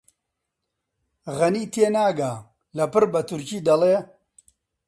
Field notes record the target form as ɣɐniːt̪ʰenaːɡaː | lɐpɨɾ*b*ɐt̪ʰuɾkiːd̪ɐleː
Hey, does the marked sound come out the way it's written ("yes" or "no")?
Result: yes